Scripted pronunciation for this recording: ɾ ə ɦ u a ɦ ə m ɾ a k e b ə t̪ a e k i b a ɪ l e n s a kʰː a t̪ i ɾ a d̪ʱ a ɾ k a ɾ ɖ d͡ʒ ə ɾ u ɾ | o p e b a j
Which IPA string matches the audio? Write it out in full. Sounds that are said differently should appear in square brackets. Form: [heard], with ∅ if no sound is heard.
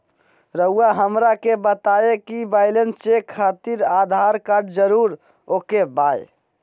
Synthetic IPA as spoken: ɾ ə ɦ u a ɦ ə m ɾ a k e b ə t̪ a e k i b a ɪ l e n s [e] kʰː a t̪ i ɾ a d̪ʱ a ɾ k a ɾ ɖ d͡ʒ ə ɾ u ɾ | o [k] e b a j